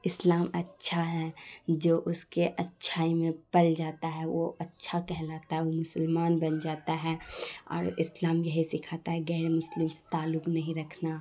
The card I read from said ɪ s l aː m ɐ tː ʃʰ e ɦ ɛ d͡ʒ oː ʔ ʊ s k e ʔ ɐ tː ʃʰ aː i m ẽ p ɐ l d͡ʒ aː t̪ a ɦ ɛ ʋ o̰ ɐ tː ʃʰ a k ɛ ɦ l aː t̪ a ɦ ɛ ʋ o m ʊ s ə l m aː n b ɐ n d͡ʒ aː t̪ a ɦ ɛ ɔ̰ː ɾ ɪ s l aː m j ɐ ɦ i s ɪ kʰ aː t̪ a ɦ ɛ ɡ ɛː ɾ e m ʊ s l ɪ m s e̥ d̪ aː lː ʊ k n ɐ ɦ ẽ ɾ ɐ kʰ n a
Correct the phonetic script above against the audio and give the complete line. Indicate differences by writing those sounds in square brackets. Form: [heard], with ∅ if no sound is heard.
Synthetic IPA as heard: ɪ s l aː m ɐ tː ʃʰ [a] ɦ ɛ d͡ʒ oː ʔ ʊ s k e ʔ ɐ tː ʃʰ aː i m ẽ p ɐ l d͡ʒ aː t̪ a ɦ ɛ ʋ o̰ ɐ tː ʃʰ a k ɛ ɦ l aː t̪ a ɦ ɛ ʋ o m ʊ s ə l m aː n b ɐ n d͡ʒ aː t̪ a ɦ ɛ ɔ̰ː ɾ ɪ s l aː m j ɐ ɦ i s ɪ kʰ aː t̪ a ɦ ɛ ɡ ɛː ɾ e m ʊ s l ɪ m s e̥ [t̪] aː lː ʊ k n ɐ ɦ [ĩ] ɾ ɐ kʰ n a